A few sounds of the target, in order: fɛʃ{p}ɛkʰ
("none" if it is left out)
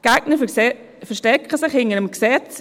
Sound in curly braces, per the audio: t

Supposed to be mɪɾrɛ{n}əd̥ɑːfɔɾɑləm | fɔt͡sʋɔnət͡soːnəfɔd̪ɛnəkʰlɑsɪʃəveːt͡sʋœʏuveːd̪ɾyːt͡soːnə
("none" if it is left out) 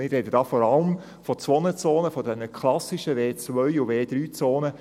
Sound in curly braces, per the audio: d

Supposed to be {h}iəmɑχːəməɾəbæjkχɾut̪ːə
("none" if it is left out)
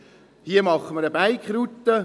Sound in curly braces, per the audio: h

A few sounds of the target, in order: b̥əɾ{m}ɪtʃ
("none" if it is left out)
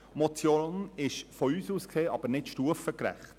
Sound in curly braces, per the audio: n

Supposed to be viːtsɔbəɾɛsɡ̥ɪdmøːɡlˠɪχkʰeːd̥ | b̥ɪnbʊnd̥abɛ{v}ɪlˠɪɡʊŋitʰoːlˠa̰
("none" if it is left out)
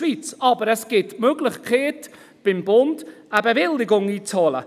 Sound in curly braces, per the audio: v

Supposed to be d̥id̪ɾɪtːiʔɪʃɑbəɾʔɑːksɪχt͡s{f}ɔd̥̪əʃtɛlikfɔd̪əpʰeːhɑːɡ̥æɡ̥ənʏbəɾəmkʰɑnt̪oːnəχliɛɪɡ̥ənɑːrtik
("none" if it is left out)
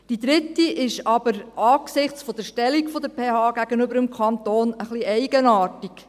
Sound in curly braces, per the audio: f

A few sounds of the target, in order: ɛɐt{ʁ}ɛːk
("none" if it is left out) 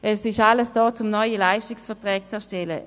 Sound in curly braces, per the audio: ʁ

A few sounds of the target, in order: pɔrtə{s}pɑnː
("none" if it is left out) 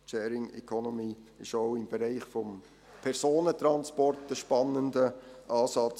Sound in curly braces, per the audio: ʃ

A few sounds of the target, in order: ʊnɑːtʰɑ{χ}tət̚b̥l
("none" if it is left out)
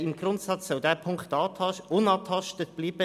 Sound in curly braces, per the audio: ʃ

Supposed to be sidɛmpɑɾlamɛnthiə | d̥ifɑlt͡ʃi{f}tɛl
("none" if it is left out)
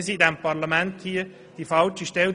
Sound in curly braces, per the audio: ʃ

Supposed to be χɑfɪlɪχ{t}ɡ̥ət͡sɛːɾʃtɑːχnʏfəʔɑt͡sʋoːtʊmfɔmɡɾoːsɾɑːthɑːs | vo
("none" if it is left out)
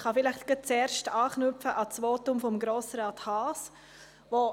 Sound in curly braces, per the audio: t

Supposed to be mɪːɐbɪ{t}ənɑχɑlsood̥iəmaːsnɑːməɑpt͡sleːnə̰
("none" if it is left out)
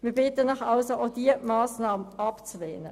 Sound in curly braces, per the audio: t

